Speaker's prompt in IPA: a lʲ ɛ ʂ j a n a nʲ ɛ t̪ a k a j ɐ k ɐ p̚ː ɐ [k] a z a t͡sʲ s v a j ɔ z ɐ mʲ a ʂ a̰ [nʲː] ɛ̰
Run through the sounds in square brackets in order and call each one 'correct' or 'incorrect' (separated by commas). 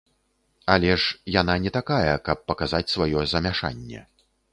correct, correct